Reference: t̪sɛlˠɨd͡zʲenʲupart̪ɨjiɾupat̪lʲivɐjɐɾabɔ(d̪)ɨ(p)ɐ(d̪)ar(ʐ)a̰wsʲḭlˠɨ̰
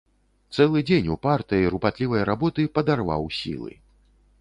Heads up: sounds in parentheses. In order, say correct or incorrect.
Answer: incorrect: t̪, correct, correct, incorrect: v

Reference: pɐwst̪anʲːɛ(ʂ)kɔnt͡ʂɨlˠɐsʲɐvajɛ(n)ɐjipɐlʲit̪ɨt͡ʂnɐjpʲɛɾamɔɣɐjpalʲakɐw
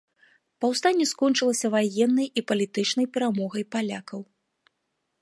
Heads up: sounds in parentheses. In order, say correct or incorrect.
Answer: incorrect: s, incorrect: nː

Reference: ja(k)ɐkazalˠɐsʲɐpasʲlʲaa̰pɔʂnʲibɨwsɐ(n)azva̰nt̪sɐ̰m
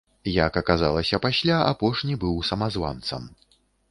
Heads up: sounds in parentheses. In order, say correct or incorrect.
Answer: correct, incorrect: m

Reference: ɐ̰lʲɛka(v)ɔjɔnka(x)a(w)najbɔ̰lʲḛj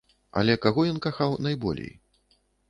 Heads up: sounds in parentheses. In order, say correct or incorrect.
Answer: incorrect: ɣ, correct, correct

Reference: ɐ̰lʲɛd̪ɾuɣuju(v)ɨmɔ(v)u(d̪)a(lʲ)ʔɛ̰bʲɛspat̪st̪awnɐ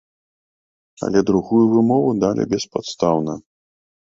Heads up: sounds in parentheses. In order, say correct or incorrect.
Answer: correct, correct, correct, correct

